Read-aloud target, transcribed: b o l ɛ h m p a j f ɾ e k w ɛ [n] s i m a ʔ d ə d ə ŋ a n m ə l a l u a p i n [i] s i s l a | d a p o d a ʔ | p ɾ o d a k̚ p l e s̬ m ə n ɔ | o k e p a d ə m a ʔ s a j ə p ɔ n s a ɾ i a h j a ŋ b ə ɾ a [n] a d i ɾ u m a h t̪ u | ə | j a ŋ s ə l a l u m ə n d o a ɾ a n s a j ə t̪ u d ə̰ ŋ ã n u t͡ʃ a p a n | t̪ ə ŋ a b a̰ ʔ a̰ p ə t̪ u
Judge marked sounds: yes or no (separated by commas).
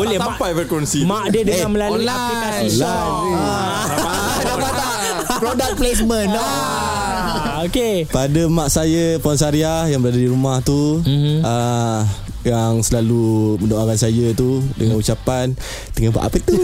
yes, no, no